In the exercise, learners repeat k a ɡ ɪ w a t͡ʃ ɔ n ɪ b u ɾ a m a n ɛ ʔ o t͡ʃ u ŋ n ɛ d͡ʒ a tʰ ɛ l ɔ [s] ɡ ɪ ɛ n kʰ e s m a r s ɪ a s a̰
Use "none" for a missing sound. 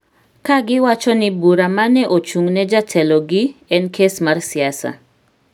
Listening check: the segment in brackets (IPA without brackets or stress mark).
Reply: none